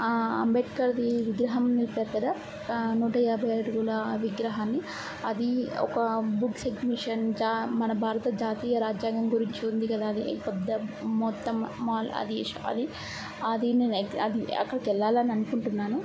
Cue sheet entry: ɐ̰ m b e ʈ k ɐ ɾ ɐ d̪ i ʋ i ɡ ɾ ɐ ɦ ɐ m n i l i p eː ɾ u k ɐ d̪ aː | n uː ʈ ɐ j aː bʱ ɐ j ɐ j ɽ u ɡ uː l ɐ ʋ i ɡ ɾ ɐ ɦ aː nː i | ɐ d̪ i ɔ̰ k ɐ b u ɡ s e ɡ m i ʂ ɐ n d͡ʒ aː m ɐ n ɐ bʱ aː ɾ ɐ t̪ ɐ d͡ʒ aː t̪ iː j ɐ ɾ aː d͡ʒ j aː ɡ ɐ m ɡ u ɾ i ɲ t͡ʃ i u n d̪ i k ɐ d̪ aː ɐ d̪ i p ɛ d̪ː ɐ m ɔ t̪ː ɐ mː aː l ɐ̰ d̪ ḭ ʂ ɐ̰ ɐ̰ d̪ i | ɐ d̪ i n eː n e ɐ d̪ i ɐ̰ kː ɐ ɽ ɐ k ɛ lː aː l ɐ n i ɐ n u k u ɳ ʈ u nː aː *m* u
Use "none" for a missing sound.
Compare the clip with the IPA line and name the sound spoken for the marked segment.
n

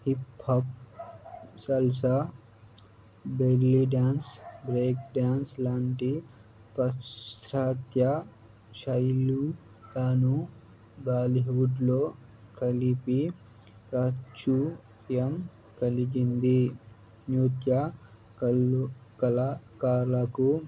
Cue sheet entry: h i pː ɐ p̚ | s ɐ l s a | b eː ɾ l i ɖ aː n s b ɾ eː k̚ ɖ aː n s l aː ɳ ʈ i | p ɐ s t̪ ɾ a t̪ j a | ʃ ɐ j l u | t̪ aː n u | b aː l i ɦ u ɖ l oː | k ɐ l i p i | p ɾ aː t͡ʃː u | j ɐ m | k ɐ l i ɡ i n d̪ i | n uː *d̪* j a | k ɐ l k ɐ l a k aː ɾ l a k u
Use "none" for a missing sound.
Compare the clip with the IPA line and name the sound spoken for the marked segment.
t̪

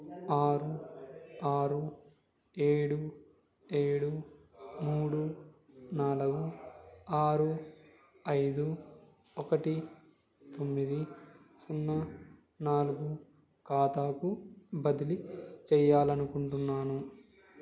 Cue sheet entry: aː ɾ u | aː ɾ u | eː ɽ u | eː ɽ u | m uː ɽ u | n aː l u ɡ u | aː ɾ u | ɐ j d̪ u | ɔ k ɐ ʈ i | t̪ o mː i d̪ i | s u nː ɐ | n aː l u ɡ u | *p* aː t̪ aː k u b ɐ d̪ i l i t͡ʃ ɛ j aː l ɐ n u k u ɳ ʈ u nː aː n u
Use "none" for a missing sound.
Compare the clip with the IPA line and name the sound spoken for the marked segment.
k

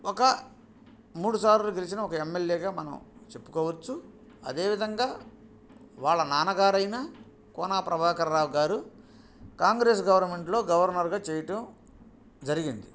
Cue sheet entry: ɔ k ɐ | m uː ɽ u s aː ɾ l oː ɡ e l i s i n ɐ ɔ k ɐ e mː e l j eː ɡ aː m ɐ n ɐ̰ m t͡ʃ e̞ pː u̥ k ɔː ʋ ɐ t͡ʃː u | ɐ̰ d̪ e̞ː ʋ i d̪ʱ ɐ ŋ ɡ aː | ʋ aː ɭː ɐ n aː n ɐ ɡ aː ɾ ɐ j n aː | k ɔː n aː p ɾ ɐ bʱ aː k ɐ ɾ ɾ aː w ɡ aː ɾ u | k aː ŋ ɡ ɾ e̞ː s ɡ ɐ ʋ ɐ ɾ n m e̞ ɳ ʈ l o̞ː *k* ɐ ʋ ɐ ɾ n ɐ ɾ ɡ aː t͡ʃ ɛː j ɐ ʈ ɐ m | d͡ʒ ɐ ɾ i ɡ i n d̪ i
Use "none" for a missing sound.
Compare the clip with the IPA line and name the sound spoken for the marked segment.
ɡ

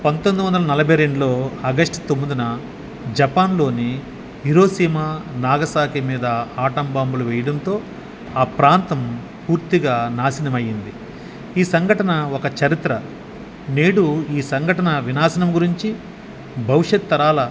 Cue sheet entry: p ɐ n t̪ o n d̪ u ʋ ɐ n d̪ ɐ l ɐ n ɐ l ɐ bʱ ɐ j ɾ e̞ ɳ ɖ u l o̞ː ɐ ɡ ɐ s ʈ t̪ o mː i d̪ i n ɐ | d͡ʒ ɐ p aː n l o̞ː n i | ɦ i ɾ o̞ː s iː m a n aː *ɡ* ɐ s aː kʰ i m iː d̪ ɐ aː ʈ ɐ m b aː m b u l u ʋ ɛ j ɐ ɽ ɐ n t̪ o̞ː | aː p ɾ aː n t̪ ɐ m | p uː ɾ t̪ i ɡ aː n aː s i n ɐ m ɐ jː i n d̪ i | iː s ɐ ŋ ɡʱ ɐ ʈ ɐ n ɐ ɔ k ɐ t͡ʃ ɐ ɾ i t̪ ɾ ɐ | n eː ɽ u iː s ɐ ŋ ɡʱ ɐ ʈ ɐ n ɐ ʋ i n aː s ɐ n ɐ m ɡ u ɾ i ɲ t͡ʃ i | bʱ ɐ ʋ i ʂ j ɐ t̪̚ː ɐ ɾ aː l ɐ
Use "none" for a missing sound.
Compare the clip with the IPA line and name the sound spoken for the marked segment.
ɡ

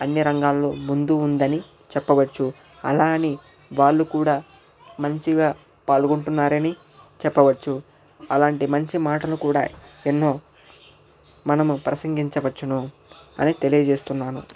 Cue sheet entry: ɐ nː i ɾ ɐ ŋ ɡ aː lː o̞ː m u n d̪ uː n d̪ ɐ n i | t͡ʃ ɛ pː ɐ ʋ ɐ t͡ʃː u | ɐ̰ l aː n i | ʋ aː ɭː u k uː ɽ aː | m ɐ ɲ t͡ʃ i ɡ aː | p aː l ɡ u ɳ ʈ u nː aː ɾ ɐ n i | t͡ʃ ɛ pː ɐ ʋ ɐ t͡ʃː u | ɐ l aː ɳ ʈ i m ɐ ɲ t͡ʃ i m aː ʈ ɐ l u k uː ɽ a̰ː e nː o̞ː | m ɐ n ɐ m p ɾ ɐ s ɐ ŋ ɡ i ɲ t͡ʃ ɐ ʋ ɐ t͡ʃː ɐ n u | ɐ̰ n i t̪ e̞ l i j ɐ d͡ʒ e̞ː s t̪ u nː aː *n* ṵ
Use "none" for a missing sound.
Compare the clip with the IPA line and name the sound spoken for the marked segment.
n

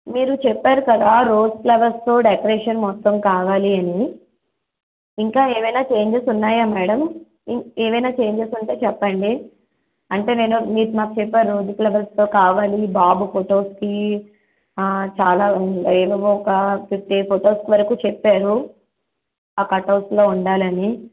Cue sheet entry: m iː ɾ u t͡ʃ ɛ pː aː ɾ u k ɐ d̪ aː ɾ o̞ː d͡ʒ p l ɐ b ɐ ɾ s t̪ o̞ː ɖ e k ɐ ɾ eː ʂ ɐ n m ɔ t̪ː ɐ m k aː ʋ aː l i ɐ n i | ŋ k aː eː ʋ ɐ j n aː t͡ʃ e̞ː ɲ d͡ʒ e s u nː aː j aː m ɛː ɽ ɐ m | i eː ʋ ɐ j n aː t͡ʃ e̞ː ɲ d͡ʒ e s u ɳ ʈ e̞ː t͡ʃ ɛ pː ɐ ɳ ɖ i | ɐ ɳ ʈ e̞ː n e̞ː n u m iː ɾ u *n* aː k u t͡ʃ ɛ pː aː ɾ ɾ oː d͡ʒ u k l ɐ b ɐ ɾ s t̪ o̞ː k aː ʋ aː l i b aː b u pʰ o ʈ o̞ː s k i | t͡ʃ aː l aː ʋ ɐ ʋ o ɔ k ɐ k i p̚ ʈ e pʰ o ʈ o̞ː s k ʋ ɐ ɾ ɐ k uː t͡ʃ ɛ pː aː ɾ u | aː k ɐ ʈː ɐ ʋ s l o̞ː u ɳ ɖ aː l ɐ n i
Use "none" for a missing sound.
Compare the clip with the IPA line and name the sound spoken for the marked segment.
m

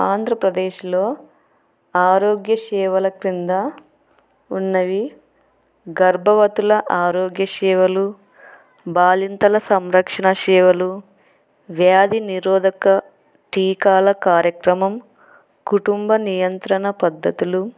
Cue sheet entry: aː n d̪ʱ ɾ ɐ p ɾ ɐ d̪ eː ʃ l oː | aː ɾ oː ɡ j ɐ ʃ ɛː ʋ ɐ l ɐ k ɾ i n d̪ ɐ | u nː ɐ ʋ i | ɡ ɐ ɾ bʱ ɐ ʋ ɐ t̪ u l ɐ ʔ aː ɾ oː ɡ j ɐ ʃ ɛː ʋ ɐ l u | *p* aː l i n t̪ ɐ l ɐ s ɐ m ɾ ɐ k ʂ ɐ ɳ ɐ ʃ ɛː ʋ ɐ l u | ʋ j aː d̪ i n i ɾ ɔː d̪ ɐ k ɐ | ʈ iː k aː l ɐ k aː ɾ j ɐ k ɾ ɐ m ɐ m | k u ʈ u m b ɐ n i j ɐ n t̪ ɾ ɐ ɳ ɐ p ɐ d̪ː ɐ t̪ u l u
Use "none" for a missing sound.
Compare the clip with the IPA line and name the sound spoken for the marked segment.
b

